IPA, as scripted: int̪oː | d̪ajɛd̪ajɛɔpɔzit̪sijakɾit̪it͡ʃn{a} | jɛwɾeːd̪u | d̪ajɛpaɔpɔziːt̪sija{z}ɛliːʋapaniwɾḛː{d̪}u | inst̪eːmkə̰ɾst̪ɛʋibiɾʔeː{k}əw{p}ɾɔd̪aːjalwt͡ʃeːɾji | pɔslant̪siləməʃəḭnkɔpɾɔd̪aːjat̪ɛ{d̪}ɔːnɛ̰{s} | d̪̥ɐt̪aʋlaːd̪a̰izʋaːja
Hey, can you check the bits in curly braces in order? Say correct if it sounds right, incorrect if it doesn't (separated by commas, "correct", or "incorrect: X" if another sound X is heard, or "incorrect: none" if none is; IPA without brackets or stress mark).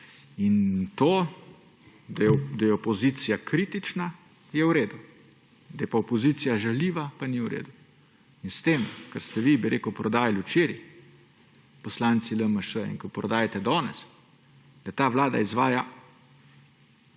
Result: correct, incorrect: ʒ, correct, correct, correct, correct, correct